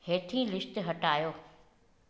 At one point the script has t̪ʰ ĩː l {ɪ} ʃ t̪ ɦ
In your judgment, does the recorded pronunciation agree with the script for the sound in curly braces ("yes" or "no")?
yes